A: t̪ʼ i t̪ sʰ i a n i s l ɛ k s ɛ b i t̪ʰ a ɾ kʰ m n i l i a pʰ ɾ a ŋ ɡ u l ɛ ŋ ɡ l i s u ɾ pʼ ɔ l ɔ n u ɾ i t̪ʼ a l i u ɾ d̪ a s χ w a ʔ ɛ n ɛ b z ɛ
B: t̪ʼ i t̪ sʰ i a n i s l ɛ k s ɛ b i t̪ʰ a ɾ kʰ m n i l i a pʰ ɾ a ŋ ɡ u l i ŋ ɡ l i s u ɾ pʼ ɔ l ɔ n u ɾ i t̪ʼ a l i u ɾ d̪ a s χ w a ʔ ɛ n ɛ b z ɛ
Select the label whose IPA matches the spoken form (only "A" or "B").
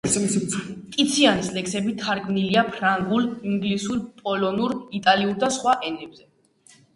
B